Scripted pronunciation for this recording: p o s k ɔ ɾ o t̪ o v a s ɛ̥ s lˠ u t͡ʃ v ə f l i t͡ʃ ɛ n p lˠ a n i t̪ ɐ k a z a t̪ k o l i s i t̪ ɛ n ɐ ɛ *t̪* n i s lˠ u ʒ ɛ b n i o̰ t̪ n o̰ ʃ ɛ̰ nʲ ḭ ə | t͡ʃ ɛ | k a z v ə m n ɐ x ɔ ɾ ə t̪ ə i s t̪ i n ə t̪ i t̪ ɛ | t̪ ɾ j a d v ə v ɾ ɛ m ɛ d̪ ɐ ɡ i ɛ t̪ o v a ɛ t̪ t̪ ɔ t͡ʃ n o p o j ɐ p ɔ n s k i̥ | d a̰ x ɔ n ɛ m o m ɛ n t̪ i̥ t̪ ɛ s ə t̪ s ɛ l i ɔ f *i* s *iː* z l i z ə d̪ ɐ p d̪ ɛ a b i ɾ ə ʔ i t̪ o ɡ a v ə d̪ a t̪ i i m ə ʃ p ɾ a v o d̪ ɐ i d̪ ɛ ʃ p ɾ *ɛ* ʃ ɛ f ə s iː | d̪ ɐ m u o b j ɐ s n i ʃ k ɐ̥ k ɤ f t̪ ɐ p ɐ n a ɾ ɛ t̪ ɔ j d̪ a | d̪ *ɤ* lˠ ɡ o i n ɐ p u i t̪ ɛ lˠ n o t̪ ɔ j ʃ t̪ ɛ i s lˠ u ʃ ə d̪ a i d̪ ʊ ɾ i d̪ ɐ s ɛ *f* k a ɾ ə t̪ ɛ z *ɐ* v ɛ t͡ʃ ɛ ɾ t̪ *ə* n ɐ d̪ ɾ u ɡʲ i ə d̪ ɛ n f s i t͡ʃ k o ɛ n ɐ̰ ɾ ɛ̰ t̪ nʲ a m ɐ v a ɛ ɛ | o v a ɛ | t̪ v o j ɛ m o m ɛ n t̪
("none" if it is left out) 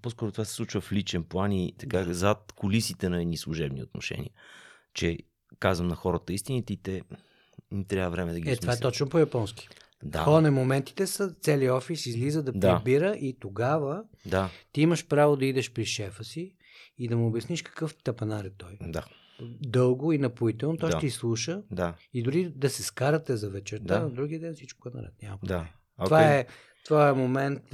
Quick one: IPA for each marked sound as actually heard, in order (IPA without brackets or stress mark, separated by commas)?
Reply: d̪, i, i, i, ɤ, s, ɐ, a